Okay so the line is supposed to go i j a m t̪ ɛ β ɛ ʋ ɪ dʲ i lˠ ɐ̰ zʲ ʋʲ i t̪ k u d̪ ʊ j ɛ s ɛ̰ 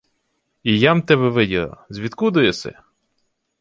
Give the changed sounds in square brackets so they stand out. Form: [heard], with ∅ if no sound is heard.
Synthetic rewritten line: i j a m t̪ ɛ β ɛ ʋ ɪ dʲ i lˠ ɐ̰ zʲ ʋʲ i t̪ k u d̪ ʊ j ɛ s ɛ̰